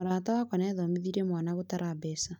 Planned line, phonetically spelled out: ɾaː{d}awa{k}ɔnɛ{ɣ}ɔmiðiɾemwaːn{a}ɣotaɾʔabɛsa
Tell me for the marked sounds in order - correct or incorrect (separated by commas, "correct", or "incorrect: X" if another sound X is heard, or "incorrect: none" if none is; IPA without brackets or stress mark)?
incorrect: t, correct, incorrect: ð, correct